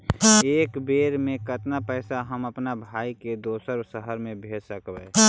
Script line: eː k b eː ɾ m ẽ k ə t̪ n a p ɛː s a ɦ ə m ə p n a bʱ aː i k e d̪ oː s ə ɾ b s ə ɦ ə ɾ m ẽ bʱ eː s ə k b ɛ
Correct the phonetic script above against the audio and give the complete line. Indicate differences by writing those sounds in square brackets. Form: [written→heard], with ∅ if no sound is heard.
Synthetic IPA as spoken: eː k b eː ɾ m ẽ k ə t̪ n a p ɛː s a ɦ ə m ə p n a bʱ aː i k e d̪ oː s ə ɾ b s ə ɦ ə ɾ m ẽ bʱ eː s ə k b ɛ